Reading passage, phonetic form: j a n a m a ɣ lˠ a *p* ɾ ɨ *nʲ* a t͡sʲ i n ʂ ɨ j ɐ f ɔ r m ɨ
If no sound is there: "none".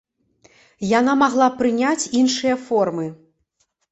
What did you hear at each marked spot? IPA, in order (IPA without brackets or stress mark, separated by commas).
p, nʲ